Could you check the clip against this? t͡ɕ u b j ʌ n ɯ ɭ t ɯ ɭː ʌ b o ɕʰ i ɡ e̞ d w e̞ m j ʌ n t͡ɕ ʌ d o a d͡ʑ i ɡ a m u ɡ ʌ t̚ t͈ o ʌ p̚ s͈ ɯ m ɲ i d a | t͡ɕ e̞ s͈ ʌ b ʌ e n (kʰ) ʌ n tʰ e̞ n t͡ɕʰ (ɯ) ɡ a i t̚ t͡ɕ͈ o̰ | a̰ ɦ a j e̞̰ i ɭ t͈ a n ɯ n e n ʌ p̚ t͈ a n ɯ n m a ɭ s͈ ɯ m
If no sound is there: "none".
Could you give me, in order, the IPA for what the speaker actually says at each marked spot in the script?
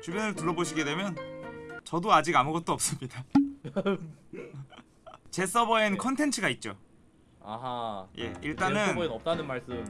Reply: kʰ, ɯ

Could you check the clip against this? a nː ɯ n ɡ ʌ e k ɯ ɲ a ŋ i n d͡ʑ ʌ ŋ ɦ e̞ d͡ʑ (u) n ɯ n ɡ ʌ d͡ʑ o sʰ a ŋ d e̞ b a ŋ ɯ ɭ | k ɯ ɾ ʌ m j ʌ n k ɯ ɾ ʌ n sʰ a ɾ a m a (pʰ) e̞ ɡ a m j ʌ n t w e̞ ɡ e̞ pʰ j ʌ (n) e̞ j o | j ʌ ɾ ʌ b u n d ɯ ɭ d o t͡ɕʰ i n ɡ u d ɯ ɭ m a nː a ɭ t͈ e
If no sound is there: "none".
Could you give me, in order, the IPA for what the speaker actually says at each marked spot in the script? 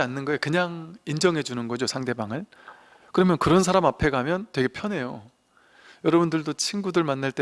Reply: u, pʰ, n

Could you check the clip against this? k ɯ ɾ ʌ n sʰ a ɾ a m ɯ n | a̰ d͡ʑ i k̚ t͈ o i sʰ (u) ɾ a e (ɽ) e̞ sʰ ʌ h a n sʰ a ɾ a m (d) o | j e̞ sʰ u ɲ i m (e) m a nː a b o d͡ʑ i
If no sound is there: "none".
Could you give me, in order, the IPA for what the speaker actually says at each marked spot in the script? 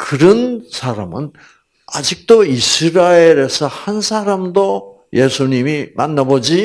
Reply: ɯ, ɾ, d, i

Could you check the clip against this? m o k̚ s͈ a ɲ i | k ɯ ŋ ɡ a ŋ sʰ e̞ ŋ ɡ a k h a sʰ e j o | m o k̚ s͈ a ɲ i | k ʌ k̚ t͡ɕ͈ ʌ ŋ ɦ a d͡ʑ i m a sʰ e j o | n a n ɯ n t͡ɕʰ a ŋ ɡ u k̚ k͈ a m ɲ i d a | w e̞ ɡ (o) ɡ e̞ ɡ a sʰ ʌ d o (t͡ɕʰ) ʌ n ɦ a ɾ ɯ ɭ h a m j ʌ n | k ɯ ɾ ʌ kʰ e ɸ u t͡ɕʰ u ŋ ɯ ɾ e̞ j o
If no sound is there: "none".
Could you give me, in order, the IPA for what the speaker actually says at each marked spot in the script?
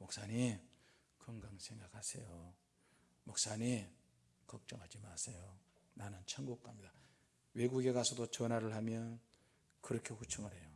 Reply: u, t͡ɕ

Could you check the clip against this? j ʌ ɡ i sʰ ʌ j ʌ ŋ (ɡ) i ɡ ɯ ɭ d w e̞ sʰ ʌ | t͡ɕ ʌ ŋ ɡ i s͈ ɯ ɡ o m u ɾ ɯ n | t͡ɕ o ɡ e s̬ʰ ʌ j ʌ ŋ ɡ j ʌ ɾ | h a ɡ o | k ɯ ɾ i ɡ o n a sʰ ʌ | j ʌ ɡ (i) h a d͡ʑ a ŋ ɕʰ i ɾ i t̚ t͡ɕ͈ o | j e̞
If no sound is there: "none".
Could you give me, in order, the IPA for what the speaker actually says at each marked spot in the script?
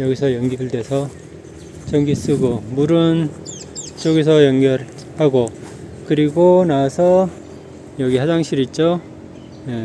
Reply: ɡ, i

